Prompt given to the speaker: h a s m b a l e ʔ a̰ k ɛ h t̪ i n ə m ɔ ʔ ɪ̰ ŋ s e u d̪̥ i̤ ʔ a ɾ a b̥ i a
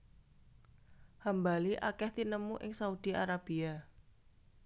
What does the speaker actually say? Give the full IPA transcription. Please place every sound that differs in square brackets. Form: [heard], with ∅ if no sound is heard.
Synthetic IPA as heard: h a [∅] m b a l [i] ʔ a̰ k ɛ h t̪ i n ə m [u] ʔ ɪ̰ ŋ s [a] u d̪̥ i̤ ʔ a ɾ a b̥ i a